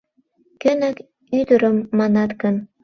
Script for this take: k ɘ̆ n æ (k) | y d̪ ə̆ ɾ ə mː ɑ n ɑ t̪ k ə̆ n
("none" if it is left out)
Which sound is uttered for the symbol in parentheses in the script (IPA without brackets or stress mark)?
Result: k